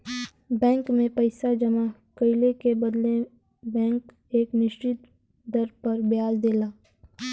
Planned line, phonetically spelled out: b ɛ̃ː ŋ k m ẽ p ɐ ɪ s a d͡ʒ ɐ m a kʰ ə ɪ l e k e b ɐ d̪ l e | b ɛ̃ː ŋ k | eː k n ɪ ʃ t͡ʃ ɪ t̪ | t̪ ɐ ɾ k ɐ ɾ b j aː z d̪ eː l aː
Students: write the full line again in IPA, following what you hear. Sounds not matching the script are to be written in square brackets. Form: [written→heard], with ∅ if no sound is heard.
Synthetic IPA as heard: b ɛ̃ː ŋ k m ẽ p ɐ ɪ s a d͡ʒ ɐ m a [kʰ→k] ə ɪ l e k e b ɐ d̪ l e | b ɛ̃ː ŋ k | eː k n ɪ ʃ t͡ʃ ɪ t̪ | [t̪→d̪] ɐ ɾ [k→p] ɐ ɾ b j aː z d̪ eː l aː